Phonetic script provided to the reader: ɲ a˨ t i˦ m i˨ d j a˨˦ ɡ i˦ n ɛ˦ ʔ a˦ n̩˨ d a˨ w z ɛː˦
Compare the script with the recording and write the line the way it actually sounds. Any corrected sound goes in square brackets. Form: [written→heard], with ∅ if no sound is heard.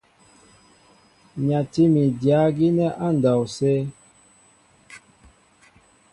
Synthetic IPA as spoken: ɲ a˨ t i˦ m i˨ d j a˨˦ ɡ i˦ n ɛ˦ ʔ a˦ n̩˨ d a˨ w [z→s] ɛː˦